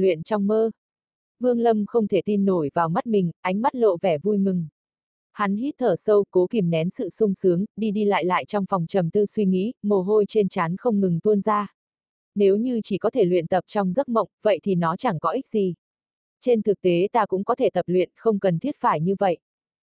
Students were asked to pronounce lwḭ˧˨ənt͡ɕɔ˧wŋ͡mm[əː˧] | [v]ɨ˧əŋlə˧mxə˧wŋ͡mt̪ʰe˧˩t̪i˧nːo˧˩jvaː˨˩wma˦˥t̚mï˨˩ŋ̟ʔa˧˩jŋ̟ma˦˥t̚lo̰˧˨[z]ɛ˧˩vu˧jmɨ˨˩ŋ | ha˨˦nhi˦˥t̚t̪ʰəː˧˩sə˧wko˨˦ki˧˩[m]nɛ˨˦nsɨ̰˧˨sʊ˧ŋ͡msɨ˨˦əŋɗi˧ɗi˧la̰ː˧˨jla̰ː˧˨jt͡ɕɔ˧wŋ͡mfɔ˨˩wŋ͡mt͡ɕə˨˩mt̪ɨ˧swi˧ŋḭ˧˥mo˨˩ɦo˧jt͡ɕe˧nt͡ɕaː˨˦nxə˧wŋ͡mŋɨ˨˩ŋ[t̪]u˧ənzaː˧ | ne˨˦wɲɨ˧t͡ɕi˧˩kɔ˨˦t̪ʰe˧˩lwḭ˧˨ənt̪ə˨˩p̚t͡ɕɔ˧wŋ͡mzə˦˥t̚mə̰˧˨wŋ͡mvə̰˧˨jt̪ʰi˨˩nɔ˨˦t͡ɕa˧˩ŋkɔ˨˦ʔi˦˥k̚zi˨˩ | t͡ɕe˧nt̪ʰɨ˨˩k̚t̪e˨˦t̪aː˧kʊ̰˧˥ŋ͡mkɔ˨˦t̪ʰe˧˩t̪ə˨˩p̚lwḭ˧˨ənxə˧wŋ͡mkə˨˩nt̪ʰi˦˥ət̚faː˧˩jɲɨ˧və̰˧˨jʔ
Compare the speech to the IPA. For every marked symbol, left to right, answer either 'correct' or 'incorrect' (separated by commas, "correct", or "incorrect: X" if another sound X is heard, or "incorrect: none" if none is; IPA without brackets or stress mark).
correct, correct, incorrect: v, correct, correct